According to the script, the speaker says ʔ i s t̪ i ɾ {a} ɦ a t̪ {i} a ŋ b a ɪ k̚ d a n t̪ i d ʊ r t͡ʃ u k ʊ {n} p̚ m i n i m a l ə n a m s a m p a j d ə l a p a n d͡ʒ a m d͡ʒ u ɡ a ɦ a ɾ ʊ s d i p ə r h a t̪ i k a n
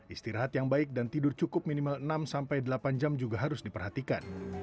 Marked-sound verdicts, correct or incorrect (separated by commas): correct, incorrect, incorrect